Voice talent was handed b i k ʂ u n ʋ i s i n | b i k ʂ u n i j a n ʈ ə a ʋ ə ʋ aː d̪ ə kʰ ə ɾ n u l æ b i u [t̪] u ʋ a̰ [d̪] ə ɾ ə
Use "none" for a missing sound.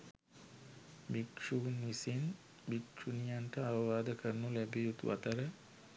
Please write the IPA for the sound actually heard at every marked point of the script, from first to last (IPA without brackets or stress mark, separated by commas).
t̪, t̪